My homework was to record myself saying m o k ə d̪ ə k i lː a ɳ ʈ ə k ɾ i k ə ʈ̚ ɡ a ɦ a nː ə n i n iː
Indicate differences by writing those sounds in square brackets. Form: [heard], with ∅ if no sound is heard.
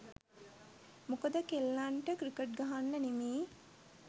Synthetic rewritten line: m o k ə d̪ ə k [e] lː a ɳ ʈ ə k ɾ i k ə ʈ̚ ɡ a ɦ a nː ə n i [m] iː